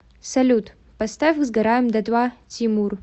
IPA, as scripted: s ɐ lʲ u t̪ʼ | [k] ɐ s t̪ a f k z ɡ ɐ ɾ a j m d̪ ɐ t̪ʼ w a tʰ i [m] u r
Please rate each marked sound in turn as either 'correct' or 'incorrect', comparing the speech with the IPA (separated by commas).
incorrect, correct